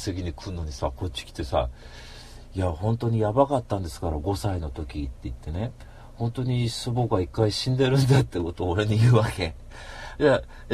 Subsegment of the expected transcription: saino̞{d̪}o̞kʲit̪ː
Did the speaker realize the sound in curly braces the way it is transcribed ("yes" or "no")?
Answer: no